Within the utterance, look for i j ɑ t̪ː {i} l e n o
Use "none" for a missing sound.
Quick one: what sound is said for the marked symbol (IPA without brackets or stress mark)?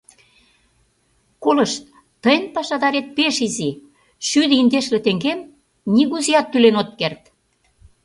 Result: y